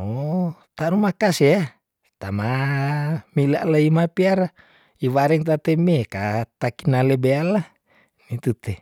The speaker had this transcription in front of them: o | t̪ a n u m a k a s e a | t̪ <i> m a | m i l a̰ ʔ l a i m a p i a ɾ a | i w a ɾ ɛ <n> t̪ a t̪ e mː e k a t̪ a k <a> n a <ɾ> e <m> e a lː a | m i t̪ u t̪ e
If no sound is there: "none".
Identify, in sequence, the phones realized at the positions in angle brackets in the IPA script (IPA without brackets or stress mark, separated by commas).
a, ŋ, i, l, b